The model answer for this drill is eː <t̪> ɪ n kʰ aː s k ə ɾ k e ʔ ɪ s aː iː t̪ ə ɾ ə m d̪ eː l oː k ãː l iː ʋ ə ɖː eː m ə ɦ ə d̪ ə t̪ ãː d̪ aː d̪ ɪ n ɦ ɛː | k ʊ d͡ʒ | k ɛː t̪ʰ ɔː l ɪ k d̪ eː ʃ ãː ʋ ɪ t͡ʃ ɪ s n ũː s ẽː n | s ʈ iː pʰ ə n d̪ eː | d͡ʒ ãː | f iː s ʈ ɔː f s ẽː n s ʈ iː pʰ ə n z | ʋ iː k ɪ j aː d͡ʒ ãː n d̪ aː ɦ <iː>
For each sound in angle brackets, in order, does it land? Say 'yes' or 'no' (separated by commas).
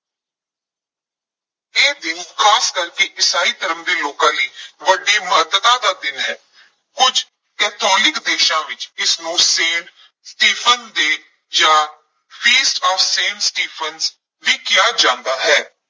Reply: no, no